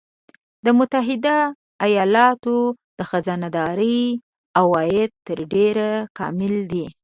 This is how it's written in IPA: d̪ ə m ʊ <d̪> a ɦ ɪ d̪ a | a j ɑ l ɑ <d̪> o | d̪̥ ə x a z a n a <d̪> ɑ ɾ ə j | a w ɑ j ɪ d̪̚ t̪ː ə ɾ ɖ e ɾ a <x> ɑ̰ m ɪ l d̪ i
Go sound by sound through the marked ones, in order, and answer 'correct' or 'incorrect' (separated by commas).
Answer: incorrect, incorrect, correct, incorrect